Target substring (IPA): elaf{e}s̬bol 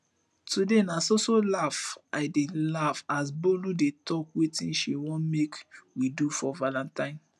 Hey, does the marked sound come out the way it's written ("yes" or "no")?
no